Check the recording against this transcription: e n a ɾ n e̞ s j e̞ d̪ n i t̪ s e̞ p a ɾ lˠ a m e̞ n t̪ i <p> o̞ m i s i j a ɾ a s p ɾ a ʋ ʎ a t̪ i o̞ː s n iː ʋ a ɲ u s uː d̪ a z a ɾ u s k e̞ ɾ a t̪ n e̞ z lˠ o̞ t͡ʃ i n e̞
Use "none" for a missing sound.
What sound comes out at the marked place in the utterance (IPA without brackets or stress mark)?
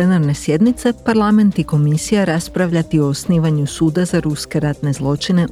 k